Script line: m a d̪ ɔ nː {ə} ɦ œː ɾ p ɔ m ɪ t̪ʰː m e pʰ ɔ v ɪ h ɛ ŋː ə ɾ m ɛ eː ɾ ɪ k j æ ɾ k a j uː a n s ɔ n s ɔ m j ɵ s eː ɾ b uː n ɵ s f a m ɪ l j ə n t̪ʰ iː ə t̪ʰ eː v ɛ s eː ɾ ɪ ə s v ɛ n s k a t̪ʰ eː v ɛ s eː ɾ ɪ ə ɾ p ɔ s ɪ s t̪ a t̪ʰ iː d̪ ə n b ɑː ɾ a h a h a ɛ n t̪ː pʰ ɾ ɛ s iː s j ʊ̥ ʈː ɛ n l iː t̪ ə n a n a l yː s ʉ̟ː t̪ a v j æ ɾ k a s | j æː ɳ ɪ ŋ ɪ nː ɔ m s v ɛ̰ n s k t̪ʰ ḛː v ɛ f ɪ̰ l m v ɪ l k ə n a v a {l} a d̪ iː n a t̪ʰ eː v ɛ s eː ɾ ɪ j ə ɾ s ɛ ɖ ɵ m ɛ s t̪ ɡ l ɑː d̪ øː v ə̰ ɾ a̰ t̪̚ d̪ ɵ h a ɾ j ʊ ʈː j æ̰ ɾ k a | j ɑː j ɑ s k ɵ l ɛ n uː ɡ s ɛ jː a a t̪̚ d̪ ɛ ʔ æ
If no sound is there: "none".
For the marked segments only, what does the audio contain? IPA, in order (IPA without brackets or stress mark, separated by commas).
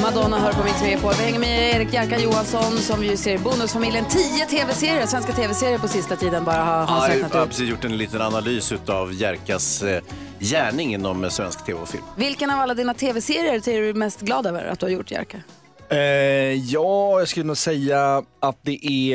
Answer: a, lː